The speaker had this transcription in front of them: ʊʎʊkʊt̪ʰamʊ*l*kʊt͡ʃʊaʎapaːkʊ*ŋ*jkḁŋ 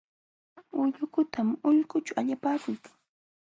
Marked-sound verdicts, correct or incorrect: incorrect: ʎ, incorrect: none

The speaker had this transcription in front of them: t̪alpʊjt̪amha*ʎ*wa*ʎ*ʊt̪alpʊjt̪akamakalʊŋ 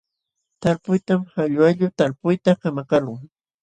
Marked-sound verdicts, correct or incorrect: correct, correct

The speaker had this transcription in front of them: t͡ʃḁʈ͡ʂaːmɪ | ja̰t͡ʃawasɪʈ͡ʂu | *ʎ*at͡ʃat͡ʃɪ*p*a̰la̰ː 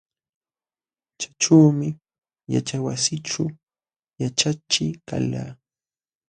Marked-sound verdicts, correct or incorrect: incorrect: j, incorrect: k

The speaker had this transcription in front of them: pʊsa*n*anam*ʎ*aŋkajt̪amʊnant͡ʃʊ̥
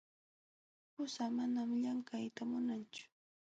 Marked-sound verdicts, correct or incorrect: incorrect: m, correct

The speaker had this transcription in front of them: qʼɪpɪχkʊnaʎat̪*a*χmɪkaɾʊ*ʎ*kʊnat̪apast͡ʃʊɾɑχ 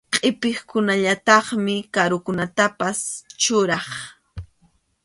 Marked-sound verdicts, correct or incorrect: incorrect: ɑ, incorrect: none

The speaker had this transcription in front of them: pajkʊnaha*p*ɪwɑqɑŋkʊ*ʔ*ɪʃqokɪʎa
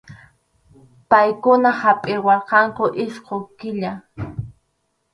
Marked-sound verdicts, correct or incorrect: incorrect: pʼ, correct

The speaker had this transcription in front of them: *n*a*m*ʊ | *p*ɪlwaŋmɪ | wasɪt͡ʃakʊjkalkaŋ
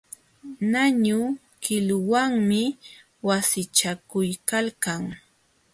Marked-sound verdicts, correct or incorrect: correct, incorrect: ɲ, incorrect: k

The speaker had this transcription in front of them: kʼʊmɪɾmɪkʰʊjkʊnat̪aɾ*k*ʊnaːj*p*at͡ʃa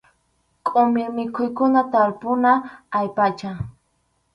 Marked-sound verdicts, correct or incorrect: incorrect: p, correct

